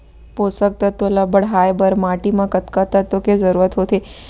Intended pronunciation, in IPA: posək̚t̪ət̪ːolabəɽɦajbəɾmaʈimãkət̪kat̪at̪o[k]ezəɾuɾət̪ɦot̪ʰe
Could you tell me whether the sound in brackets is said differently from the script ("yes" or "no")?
no